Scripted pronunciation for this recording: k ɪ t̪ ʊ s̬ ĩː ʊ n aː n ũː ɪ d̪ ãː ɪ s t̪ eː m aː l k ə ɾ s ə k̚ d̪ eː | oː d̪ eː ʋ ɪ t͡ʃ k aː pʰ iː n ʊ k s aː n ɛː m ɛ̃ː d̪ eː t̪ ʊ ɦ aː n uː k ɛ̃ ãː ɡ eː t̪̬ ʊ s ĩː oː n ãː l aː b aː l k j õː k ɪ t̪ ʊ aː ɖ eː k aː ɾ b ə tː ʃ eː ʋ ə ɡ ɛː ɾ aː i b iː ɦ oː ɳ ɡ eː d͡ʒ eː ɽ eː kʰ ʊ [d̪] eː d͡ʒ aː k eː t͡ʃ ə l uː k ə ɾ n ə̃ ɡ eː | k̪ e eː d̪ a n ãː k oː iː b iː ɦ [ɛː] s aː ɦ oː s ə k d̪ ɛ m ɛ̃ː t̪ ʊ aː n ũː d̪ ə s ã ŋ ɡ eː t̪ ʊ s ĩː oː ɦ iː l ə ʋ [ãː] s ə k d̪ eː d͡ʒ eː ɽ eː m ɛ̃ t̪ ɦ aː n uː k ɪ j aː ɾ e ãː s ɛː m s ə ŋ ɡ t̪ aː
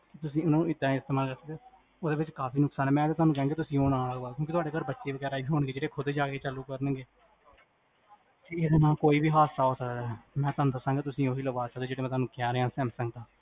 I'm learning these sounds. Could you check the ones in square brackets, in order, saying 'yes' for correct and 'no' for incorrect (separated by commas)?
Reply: yes, no, no